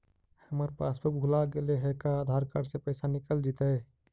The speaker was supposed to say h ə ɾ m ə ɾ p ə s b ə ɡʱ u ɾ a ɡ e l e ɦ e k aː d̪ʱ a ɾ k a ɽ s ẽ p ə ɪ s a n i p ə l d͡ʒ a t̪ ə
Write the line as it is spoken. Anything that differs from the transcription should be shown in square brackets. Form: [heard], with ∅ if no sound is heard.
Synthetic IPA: h ə [∅] m ə ɾ p [a] s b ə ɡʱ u [l] a ɡ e l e ɦ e k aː d̪ʱ a ɾ k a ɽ s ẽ p ə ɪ s a n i [k] ə l d͡ʒ [i] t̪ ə